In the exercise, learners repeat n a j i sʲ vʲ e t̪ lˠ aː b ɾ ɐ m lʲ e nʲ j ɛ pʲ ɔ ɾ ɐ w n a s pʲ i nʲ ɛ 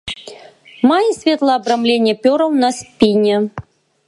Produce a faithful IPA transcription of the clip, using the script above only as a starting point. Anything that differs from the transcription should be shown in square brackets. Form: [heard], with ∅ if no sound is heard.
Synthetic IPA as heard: [m] a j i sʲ vʲ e t̪ lˠ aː b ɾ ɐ m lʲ e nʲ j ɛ pʲ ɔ ɾ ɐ w n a s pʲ i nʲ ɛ

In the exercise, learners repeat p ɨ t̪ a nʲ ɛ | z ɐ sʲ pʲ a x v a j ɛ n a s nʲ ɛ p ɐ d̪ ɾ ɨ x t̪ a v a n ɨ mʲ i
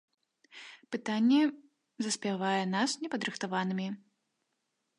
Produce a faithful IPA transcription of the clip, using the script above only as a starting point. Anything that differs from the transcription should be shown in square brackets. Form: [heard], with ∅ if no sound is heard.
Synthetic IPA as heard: p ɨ t̪ a [nʲː] ɛ | z ɐ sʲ pʲ a [∅] v a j ɛ n a s nʲ ɛ p ɐ d̪ ɾ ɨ x t̪ a v a n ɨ mʲ i

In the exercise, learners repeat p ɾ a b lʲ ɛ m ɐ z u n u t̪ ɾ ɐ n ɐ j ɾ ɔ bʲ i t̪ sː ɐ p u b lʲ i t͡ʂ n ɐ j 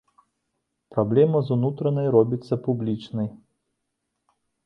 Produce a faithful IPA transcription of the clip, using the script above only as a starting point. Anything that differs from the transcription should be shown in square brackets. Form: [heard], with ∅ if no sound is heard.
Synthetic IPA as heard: p ɾ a b lʲ ɛ m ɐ z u n u t̪ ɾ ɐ n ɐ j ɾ ɔ bʲ i t̪ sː ɐ p u b lʲ i t͡ʂ n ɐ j

